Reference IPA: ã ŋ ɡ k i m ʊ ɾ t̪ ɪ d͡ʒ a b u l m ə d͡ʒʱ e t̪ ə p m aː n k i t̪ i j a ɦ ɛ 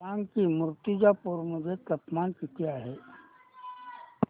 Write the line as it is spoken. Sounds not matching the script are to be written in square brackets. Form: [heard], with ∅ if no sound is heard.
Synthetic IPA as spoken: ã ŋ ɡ k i m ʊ ɾ t̪ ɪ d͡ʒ a [p] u [ɾ] m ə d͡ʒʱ e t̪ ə p m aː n k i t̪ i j a ɦ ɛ